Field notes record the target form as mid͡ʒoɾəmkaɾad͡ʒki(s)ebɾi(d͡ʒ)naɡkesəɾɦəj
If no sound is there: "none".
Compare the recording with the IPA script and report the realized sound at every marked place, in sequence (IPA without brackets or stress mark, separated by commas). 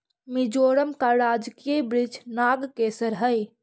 none, d͡ʒ